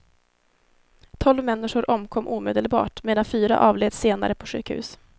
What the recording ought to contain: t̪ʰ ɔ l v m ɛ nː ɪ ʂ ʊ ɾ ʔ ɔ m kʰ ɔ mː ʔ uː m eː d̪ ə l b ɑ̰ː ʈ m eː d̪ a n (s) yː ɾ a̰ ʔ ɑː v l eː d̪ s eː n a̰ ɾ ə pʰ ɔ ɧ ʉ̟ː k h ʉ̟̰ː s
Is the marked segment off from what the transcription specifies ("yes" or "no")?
yes